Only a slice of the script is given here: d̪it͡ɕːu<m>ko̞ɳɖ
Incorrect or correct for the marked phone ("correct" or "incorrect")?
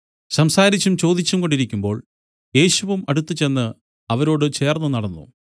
correct